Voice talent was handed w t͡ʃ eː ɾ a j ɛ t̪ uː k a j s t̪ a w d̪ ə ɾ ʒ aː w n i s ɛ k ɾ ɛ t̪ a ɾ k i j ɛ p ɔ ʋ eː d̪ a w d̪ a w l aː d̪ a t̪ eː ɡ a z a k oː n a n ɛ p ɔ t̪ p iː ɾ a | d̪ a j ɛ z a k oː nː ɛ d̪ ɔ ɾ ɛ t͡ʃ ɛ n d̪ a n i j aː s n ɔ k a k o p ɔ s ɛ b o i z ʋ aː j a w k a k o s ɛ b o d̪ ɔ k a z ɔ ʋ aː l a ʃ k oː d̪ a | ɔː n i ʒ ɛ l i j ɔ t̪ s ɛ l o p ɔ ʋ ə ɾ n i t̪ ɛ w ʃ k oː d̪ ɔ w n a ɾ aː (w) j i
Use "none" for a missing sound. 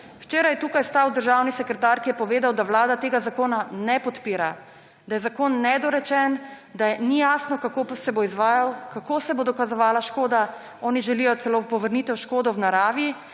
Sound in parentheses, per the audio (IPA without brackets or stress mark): ʋ